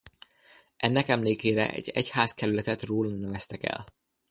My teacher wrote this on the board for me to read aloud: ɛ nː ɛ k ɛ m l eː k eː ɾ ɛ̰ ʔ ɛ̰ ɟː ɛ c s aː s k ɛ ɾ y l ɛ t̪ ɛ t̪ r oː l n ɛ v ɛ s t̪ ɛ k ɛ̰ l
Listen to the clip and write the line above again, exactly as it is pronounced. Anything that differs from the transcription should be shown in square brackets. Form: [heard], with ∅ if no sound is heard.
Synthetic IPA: ɛ nː ɛ k ɛ m l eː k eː ɾ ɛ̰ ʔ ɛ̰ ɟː ɛ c [h] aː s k ɛ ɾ y l ɛ t̪ ɛ t̪ r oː l n ɛ v ɛ s t̪ ɛ k ɛ̰ l